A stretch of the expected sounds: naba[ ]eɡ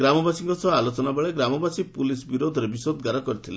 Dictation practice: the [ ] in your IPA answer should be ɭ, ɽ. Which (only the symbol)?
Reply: ɭ